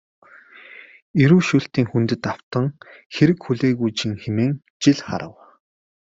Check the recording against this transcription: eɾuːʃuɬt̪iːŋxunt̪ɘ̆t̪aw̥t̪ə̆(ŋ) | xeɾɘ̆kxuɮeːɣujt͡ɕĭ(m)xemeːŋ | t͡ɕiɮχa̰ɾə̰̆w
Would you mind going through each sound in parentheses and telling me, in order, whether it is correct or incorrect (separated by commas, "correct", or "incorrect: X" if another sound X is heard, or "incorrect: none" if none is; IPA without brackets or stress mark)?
correct, incorrect: ŋ